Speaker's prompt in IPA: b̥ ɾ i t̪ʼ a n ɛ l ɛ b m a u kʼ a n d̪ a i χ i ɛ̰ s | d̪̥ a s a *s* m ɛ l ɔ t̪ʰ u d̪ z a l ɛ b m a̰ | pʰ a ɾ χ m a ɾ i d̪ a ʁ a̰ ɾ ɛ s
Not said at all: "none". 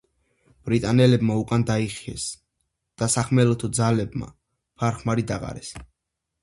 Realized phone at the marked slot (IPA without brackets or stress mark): χ